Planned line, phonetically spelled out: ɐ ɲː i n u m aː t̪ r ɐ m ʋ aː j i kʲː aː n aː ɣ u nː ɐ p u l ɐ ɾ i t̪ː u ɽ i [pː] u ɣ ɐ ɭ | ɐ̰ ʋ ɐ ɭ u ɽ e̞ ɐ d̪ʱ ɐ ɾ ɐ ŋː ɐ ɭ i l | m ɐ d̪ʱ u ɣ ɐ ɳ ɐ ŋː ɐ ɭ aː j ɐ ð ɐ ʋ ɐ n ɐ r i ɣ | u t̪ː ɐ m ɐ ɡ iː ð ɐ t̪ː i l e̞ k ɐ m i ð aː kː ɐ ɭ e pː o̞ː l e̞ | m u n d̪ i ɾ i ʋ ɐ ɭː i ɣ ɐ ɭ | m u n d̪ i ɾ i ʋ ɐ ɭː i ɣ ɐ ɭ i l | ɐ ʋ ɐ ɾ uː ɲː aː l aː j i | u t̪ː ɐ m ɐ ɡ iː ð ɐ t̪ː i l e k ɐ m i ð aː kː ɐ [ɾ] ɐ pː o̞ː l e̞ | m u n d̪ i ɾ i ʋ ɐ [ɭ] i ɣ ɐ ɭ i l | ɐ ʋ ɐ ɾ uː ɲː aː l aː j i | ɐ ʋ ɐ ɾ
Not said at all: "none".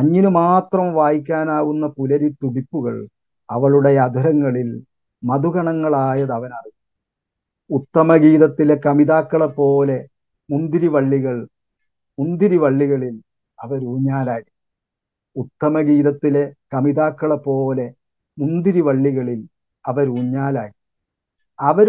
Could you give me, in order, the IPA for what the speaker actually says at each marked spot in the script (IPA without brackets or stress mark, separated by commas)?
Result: pː, ɭ, ɭː